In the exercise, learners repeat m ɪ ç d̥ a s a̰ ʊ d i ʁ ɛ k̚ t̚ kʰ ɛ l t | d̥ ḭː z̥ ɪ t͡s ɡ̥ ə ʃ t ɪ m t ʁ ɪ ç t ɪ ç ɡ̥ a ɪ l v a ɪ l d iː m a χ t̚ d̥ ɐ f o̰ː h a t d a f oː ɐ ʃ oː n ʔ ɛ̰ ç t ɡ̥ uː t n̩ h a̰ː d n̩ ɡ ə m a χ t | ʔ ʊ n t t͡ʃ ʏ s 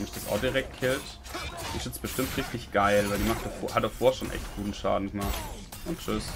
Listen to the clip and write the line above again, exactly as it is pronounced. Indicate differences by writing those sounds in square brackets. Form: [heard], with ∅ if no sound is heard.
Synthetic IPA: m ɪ ç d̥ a s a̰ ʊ d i ʁ ɛ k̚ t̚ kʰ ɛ l t | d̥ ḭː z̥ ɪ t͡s [b̥] ə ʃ t ɪ m t ʁ ɪ ç t ɪ ç ɡ̥ a ɪ l v a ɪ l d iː m a χ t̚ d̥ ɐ f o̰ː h a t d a f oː ɐ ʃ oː n ʔ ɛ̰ ç t ɡ̥ uː t n̩ [ʃ] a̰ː d n̩ ɡ ə m a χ t | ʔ ʊ n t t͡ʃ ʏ s